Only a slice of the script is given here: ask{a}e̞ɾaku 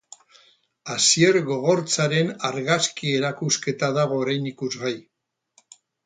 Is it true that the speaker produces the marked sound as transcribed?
no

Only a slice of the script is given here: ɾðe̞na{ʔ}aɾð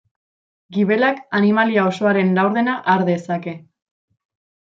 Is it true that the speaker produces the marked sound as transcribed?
yes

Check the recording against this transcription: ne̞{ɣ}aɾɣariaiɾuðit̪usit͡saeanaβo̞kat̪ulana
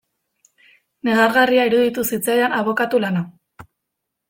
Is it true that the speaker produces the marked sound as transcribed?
yes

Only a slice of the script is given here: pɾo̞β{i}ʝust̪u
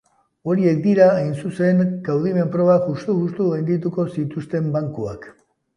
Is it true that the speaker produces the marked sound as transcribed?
no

